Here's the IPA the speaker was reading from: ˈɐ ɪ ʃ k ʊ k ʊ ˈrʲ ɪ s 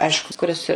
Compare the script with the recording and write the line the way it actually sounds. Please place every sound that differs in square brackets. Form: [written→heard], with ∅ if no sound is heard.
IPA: ˈɐ ɪ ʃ k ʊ k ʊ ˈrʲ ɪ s